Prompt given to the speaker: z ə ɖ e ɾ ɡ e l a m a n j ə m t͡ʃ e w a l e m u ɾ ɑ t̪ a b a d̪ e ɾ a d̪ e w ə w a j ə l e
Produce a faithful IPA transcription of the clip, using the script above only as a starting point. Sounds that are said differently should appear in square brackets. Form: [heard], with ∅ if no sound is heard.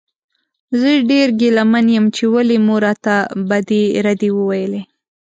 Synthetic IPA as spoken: z ə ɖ e ɾ ɡ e l a m a n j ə m t͡ʃ e w a l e m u ɾ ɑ t̪ a b a d̪ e ɾ a d̪ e w ə w a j ə l e